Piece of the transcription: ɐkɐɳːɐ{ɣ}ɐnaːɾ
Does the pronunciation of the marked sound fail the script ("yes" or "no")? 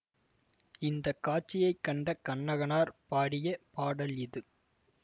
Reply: no